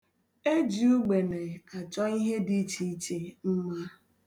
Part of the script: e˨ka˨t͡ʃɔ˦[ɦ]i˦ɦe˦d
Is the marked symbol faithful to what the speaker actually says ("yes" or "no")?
no